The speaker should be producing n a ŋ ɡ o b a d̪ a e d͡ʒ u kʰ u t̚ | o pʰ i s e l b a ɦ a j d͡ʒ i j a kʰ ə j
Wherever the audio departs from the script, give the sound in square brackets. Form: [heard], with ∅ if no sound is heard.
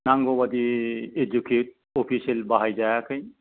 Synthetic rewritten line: n a ŋ ɡ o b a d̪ [i] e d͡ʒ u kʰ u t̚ | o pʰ i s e l b a ɦ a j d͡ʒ [a] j a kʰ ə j